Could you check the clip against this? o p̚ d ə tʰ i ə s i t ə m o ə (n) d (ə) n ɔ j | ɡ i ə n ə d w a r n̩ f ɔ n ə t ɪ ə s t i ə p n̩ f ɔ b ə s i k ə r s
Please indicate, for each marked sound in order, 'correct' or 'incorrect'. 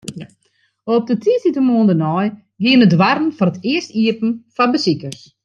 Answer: correct, correct

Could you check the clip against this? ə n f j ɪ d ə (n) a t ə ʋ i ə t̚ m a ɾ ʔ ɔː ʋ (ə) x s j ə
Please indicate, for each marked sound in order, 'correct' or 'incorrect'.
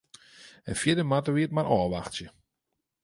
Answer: incorrect, incorrect

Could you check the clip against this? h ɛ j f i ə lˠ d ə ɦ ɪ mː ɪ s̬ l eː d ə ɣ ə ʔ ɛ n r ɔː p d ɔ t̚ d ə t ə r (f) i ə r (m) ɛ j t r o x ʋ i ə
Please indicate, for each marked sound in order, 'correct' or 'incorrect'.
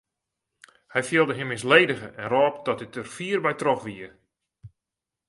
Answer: correct, incorrect

